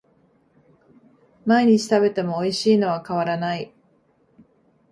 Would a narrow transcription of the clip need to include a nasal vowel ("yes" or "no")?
no